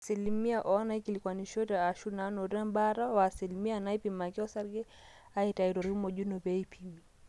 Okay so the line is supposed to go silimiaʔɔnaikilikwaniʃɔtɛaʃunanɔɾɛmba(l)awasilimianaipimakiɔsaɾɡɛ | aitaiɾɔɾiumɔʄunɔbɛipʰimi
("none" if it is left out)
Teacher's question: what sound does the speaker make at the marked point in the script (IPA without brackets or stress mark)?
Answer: ɾ